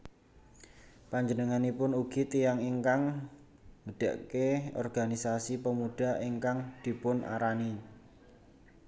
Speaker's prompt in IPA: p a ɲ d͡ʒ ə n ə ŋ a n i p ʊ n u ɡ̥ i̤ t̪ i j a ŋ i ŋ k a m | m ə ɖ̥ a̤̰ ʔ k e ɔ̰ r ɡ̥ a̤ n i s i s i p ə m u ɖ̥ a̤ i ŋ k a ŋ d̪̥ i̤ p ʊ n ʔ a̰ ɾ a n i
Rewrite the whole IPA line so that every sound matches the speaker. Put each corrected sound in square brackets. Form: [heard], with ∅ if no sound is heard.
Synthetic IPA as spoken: p a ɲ d͡ʒ ə n ə ŋ a n i p ʊ n u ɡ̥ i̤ t̪ i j a ŋ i ŋ k a [ŋ] | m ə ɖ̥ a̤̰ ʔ k e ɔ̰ r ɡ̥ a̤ n i s [a] s i p ə m u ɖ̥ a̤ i ŋ k a ŋ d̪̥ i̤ p ʊ n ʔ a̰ ɾ a n i